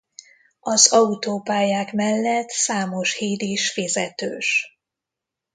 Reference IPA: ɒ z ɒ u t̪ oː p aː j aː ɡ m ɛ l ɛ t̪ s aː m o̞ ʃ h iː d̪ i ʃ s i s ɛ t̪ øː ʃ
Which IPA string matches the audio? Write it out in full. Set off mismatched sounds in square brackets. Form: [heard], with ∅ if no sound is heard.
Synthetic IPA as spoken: ɒ z ɒ u t̪ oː p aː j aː [k] m ɛ [lː] ɛ t̪ s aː m o̞ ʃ h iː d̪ i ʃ [f] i [z] ɛ t̪ øː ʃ